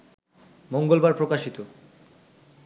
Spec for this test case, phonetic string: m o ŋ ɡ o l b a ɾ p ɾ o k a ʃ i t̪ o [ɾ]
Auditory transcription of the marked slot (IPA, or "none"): none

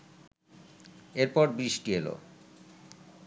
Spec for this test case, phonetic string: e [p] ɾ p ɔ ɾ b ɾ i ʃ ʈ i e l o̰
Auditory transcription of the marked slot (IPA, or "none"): none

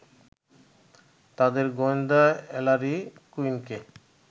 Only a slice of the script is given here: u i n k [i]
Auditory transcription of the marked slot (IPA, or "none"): e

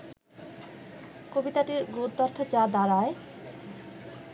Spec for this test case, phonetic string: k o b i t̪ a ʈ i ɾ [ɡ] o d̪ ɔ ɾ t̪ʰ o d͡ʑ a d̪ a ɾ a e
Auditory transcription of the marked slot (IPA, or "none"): ɡ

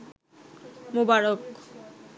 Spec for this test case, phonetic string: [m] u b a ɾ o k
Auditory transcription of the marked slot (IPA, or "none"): m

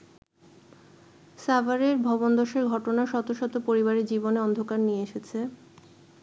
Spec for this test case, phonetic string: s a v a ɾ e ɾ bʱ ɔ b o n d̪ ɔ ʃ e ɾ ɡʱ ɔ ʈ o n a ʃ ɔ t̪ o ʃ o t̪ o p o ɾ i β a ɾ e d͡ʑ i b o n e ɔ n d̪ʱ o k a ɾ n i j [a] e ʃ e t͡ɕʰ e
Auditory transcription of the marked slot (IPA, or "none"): e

